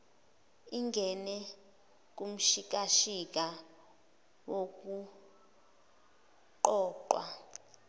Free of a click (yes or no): no